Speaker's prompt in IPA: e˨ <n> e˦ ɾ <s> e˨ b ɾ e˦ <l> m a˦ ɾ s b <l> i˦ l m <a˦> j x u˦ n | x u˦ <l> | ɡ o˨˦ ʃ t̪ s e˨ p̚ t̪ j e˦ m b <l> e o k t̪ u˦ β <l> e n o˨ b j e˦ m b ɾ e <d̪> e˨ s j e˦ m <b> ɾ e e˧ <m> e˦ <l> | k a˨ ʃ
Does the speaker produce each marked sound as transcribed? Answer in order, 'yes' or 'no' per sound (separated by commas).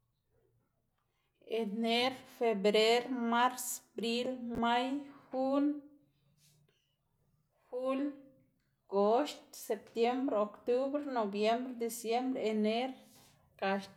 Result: yes, no, no, no, yes, yes, no, no, yes, yes, no, no